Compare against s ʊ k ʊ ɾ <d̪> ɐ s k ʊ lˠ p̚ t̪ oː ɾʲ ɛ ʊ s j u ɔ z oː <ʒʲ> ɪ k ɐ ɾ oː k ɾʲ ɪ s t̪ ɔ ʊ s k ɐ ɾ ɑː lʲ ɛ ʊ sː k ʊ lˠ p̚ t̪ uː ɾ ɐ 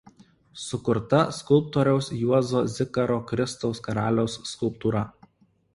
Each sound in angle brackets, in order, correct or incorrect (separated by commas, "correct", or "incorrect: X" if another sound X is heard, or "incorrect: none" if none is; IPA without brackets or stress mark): incorrect: t̪, incorrect: zʲ